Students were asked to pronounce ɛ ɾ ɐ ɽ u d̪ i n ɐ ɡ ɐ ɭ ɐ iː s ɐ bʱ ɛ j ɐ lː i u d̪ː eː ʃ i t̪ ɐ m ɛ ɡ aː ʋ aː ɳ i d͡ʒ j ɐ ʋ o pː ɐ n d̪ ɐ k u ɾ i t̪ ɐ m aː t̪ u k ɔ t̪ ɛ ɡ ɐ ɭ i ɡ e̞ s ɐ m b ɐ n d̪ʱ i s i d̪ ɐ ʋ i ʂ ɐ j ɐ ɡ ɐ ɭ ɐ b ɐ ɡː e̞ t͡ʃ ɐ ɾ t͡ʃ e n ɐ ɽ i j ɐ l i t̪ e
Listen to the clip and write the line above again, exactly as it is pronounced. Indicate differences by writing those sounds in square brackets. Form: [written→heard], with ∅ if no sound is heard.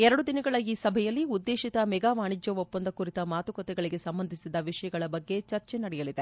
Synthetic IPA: ɛ ɾ ɐ ɽ u d̪ i n ɐ ɡ ɐ ɭ ɐ iː s ɐ bʱ ɛ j ɐ lː i u d̪ː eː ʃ i t̪ ɐ m ɛ ɡ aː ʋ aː ɳ i d͡ʒ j ɐ ʋ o pː ɐ n d̪ ɐ k u ɾ i t̪ ɐ m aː t̪ u k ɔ t̪ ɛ ɡ ɐ ɭ i ɡ e̞ s ɐ m b ɐ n d̪ʱ i s i d̪ ɐ ʋ i ʂ ɐ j ɐ ɡ ɐ ɭ ɐ b ɐ ɡː e̞ t͡ʃ ɐ ɾ t͡ʃ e n ɐ ɽ [i→ɛ] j ɐ l i [t̪→d̪] e